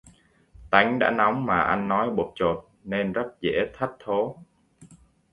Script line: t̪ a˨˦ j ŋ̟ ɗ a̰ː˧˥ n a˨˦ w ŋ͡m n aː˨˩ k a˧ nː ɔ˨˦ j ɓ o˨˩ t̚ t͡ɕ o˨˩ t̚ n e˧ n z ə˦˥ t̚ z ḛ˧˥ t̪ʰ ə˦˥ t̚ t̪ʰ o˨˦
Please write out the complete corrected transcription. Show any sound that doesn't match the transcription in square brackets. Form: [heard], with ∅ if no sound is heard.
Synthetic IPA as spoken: t̪ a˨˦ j ŋ̟ ɗ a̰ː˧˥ n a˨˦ w ŋ͡m [m] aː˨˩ [ʔ] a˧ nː ɔ˨˦ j ɓ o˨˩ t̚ t͡ɕ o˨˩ t̚ n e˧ n z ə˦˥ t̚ z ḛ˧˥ t̪ʰ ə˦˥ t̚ t̪ʰ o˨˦